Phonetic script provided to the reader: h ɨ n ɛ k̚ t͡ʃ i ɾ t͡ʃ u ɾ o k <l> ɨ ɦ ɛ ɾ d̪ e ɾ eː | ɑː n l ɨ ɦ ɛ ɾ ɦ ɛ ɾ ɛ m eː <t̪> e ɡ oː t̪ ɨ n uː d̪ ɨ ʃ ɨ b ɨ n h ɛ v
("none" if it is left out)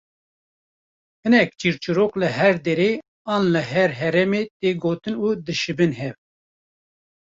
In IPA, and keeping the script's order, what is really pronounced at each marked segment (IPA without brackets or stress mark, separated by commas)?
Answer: l, t̪